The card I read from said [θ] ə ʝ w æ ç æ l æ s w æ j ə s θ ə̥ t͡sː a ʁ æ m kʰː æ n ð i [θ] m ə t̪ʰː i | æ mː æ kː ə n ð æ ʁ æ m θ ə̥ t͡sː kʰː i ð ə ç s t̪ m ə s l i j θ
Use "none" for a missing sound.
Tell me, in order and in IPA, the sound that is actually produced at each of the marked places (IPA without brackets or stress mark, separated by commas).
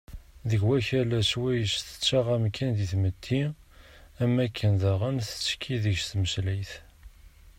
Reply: ð, θ